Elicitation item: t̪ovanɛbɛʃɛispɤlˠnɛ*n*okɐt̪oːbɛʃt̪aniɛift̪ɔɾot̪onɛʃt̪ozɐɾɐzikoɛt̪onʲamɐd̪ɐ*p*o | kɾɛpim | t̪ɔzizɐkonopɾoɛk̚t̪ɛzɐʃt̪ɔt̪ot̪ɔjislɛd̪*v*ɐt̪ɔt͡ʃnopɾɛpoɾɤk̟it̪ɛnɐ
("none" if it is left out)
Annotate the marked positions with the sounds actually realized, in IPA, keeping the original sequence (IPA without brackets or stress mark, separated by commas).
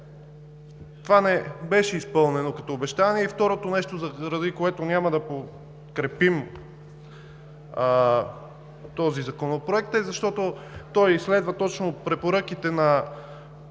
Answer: n, p, v